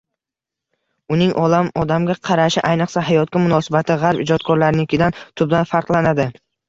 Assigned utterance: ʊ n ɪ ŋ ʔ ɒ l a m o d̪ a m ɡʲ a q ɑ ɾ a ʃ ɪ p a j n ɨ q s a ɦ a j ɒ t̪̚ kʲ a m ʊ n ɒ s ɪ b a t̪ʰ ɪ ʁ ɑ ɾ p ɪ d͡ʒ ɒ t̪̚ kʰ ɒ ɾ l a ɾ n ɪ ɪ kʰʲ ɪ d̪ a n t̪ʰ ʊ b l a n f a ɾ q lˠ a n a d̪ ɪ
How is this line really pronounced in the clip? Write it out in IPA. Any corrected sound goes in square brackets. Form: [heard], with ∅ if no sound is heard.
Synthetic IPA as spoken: ʊ n ɪ ŋ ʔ ɒ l a m [ɒ] d̪ a m ɡʲ a [qʰ] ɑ ɾ a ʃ ɪ [ʔ] a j n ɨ q s a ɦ a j ɒ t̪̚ kʲ a m ʊ n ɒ s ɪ b a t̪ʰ ɪ ʁ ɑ ɾ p ɪ d͡ʒ ɒ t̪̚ kʰ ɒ ɾ l a ɾ n ɪ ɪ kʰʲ ɪ d̪ a n t̪ʰ ʊ b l a n f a ɾ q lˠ a n a d̪ ɪ